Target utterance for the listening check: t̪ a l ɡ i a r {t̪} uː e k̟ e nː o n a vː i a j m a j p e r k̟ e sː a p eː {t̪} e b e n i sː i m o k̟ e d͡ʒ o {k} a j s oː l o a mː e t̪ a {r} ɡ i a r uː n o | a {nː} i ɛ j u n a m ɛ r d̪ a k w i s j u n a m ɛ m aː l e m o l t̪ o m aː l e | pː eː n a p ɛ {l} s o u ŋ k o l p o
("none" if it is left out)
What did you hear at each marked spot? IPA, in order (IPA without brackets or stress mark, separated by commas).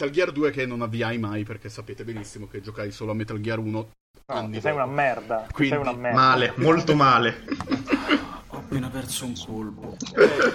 d̪, t̪, k, l, nː, r